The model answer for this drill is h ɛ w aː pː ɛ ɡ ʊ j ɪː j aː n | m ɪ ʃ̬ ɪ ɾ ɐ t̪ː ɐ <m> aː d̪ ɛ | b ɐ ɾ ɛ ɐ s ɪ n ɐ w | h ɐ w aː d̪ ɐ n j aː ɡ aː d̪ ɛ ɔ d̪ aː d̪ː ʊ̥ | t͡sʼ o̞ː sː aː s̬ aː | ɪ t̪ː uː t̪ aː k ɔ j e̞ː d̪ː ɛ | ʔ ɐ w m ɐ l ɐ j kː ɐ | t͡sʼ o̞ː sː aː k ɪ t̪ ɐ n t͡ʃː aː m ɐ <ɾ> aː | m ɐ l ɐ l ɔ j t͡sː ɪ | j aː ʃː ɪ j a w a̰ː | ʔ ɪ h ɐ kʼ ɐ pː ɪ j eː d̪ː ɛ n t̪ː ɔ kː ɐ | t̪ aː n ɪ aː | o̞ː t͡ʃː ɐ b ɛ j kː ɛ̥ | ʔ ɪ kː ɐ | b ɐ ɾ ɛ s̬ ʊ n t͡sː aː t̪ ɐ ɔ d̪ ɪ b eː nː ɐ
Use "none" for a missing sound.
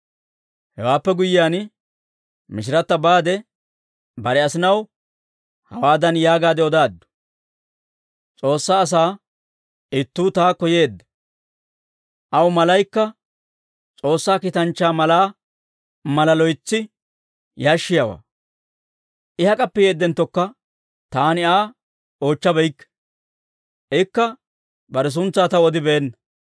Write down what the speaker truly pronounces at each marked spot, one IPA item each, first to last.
b, l

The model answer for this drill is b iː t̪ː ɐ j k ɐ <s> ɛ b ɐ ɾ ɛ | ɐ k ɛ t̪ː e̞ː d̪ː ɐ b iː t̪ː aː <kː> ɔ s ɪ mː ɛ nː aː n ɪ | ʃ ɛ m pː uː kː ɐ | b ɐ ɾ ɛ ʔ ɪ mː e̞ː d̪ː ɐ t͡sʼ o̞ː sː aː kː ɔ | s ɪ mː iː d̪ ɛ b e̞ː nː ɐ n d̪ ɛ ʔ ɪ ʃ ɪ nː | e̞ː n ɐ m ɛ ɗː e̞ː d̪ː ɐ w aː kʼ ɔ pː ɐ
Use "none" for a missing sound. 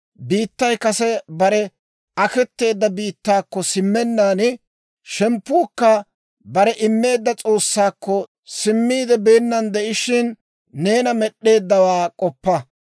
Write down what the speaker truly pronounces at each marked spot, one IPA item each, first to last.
s, kː

